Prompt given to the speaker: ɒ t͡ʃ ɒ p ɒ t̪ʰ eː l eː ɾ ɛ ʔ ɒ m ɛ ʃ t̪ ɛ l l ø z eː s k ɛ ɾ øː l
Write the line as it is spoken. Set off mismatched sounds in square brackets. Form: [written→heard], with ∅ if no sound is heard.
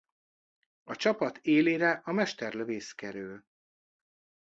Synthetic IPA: ɒ t͡ʃ ɒ p ɒ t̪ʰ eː l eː ɾ ɛ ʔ ɒ m ɛ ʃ t̪ ɛ [l→r] l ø [z→v] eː s k ɛ ɾ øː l